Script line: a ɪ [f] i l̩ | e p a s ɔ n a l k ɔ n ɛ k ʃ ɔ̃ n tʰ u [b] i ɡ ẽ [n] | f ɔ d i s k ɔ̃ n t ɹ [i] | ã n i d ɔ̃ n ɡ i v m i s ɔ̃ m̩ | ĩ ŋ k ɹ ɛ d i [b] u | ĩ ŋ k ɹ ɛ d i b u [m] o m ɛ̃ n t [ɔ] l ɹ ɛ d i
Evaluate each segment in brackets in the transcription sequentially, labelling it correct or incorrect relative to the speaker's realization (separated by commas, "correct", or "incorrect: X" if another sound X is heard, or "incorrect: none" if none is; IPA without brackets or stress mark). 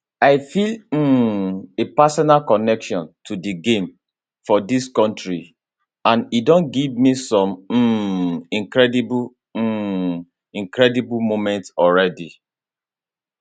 correct, incorrect: d, incorrect: m, correct, correct, correct, correct